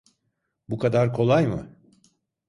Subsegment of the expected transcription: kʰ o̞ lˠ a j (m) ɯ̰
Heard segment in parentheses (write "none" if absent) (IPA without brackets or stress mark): m